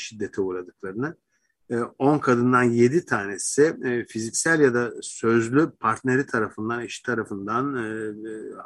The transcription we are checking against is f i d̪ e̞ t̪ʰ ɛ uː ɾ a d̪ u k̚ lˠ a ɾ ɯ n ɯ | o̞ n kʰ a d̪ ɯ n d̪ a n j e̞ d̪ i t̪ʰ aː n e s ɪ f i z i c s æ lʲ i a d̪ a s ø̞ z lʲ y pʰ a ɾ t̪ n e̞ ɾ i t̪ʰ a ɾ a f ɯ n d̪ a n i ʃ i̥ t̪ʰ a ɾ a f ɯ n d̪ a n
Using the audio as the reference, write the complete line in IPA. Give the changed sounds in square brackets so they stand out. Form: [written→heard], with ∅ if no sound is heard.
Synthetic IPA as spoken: [f→ʃ] i [d̪→d̪ː] e̞ t̪ʰ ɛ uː ɾ a d̪ [u→ɯ] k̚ lˠ a ɾ ɯ n ɯ | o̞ n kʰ a d̪ ɯ n d̪ a n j e̞ d̪ i t̪ʰ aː n e s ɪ f i z i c s æ lʲ [i→j] a d̪ a s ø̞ z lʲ y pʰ a ɾ t̪ n e̞ ɾ i t̪ʰ a ɾ a f ɯ n d̪ a n i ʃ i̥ t̪ʰ a ɾ a f ɯ n d̪ a n